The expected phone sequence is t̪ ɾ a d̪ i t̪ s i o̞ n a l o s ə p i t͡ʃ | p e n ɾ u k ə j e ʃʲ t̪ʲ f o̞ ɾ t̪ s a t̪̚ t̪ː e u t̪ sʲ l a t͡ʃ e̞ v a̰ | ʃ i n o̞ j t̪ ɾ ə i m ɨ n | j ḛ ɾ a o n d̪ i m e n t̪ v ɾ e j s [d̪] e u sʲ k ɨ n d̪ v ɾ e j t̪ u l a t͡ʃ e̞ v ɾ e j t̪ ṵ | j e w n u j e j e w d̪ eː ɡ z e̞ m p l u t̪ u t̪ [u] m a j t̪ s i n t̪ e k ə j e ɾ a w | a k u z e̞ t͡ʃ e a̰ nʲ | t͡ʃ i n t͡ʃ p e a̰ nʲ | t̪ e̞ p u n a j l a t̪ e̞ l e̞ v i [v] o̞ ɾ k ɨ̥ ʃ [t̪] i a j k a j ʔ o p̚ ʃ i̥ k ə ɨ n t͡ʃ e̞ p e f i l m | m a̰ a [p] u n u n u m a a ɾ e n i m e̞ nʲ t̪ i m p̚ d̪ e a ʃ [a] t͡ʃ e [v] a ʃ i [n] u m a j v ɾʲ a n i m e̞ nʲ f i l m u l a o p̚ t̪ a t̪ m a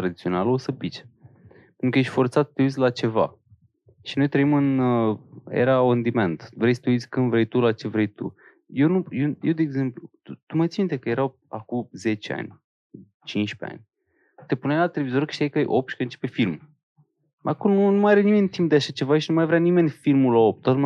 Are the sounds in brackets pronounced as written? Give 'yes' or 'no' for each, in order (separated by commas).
no, yes, no, yes, no, yes, yes, yes